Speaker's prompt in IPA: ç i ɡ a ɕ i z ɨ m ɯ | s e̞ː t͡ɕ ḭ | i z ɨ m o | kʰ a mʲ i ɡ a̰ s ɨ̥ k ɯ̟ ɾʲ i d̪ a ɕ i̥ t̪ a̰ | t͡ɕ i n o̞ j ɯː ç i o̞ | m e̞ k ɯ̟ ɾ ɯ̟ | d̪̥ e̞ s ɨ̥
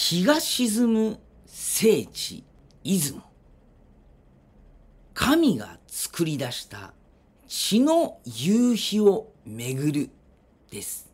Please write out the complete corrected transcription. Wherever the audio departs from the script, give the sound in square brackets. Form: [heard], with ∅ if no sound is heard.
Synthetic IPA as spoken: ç i ɡ a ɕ i z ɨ m ɯ | s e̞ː t͡ɕ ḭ | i z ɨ m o | kʰ a mʲ i ɡ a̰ [t͡s] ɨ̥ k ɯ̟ ɾʲ i d̪ a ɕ i̥ t̪ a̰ | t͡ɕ i n o̞ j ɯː ç i o̞ | m e̞ [ɡ] ɯ̟ ɾ ɯ̟ | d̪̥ e̞ s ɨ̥